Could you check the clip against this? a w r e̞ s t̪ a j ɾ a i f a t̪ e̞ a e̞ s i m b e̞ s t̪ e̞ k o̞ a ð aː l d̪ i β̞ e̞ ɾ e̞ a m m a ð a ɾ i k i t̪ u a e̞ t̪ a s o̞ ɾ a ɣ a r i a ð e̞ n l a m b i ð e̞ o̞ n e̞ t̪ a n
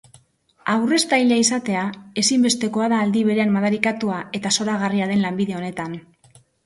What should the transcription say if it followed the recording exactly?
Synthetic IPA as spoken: a w r e̞ s t̪ a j ʎ a i s a t̪ e̞ a e̞ s i m b e̞ s t̪ e̞ k o̞ a ð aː l d̪ i β̞ e̞ ɾ e̞ a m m a ð a ɾ i k a t̪ u a e̞ t̪ a s o̞ ɾ a ɣ a r i a ð e̞ n l a m b i ð e̞ o̞ n e̞ t̪ a n

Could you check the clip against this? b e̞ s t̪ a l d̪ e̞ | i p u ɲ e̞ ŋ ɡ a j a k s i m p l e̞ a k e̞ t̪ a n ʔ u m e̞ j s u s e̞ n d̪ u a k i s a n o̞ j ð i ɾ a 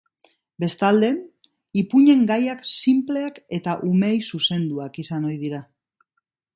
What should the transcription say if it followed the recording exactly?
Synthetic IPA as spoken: b e̞ s t̪ a l d̪ e̞ | i p u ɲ e̞ ŋ ɡ a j a k s i m p l e̞ a k e̞ t̪ a ʔ u m e̞ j s u s e̞ n d̪ u a k i s a n o̞ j ð i ɾ a

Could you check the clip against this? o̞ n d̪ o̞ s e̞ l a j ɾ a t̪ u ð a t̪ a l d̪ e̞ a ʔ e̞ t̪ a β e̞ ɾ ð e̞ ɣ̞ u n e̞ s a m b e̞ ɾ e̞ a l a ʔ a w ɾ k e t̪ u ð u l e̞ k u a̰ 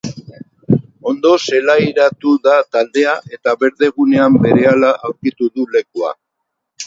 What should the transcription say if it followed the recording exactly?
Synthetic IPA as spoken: o̞ n d̪ o̞ s e̞ l a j ɾ a t̪ u ð a t̪ a l d̪ e̞ a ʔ e̞ t̪ a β e̞ ɾ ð e̞ ɣ̞ u n e̞ a m b e̞ ɾ e̞ a l a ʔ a w ɾ k i t̪ u ð u l e̞ k u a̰

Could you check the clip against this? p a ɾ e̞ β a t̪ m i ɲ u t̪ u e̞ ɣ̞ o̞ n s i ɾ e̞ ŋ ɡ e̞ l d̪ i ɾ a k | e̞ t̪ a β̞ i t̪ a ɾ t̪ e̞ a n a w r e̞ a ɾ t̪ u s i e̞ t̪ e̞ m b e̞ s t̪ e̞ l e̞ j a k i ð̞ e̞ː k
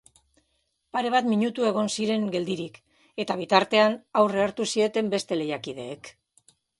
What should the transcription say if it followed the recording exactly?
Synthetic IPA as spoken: p a ɾ e̞ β a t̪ m i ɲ u t̪ u e̞ ɣ̞ o̞ n s i ɾ e̞ ŋ ɡ e̞ l d̪ i ɾ i k | e̞ t̪ a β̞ i t̪ a ɾ t̪ e̞ a n a w r e̞ a ɾ t̪ u s i e̞ t̪ e̞ m b e̞ s t̪ e̞ l e̞ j a k i ð̞ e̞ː k

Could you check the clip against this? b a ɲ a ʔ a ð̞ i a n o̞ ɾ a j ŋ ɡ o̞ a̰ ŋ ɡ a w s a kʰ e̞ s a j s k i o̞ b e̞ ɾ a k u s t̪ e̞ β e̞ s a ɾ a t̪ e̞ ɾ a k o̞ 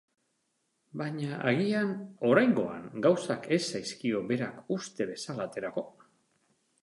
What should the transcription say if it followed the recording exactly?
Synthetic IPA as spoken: b a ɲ a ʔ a ɣ̞ i a n o̞ ɾ a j ŋ ɡ o̞ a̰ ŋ ɡ a w s a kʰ e̞ s a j s k i o̞ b e̞ ɾ a k u s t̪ e̞ β e̞ s a l a t̪ e̞ ɾ a k o̞

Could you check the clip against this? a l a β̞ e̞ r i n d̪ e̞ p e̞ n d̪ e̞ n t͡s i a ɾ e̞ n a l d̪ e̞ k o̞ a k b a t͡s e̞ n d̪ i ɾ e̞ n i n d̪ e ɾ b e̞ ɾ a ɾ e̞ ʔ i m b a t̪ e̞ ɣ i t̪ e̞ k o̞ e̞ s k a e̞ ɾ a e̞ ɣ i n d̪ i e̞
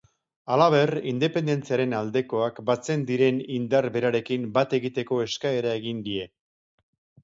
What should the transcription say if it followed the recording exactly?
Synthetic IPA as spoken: a l a β̞ e̞ r i n d̪ e̞ p e̞ n d̪ e̞ n t͡s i a ɾ e̞ n a l d̪ e̞ k o̞ a k b a t͡s e̞ n d̪ i ɾ e̞ n i n d̪ a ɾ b e̞ ɾ a ɾ e̞ k i m b a t̪ e̞ ɣ i t̪ e̞ k o̞ e̞ s k a e̞ ɾ a e̞ ɣ i n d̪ i e̞

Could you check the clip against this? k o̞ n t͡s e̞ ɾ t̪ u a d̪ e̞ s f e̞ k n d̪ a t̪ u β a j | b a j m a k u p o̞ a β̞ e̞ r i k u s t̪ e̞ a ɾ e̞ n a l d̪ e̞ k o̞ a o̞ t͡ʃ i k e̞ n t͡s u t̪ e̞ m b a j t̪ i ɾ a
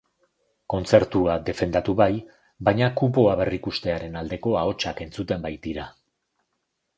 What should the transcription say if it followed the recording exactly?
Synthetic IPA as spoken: k o̞ n t͡s e̞ ɾ t̪ u a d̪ e̞ f e̞ n d̪ a t̪ u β a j | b a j ɲ a k u p o̞ a β̞ e̞ r i k u s t̪ e̞ a ɾ e̞ n a l d̪ e̞ k o̞ a o̞ t͡ʃ a k e̞ n t͡s u t̪ e̞ m b a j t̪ i ɾ a

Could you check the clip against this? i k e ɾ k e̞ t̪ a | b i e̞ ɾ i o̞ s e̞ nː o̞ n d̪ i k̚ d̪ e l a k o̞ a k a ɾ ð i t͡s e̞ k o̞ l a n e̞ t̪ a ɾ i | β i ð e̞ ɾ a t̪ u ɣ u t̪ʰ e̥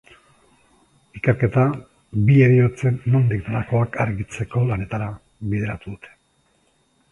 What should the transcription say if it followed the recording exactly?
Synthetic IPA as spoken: i k e ɾ k e̞ t̪ a | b i e̞ ɾ i o̞ t͡s e̞ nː o̞ n d̪ i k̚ d̪ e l a k o̞ a k a ɾ ɣ i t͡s e̞ k o̞ l a n e̞ t̪ a ɾ a | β i ð e̞ ɾ a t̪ u ð u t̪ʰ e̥

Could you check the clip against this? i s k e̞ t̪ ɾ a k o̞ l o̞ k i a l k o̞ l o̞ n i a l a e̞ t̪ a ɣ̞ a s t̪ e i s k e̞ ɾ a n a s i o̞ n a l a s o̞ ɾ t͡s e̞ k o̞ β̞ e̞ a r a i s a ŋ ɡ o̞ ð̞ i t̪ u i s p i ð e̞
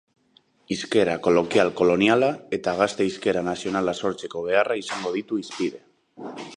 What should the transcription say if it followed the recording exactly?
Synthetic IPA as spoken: i s k e̞ ɾ a k o̞ l o̞ k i a l k o̞ l o̞ n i a l a e̞ t̪ a ɣ̞ a s t̪ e i s k e̞ ɾ a n a s i o̞ n a l a s o̞ ɾ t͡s e̞ k o̞ β̞ e̞ a r a i s a ŋ ɡ o̞ ð̞ i t̪ u i s p i ð e̞

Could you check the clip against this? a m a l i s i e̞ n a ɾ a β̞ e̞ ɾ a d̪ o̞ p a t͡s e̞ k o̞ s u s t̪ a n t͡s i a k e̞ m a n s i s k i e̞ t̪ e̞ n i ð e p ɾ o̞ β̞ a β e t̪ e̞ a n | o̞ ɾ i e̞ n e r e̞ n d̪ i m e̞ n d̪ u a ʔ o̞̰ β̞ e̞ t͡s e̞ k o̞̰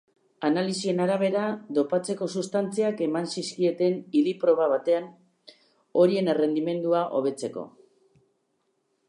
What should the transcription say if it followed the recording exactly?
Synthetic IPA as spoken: a n a l i s i e̞ n a ɾ a β̞ e̞ ɾ a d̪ o̞ p a t͡s e̞ k o̞ s u s t̪ a n t͡s i a k e̞ m a n s i s k i e̞ t̪ e̞ n i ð i p ɾ o̞ β̞ a β a t̪ e̞ a n | o̞ ɾ i e̞ n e r e̞ n d̪ i m e̞ n d̪ u a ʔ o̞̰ β̞ e̞ t͡s e̞ k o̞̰

